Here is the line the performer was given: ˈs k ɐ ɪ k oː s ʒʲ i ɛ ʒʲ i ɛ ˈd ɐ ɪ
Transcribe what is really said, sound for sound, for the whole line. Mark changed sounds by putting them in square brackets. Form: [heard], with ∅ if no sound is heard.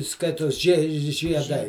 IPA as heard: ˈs k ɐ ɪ [t] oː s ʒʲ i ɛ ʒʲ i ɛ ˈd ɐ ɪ